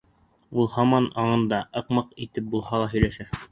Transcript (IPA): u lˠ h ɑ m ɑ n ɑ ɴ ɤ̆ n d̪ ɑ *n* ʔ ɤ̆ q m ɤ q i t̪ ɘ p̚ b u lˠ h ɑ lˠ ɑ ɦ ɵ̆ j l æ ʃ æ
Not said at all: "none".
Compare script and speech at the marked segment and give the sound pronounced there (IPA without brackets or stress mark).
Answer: none